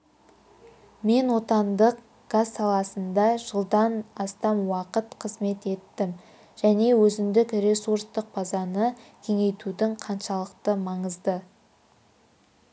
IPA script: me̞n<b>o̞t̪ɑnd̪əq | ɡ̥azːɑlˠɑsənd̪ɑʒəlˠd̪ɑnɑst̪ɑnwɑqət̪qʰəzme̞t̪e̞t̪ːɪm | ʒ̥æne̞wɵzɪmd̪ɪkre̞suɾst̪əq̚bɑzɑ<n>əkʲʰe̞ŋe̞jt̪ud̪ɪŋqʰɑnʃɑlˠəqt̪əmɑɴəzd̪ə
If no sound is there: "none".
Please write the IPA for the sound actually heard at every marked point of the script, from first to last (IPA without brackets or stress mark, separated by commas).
w, n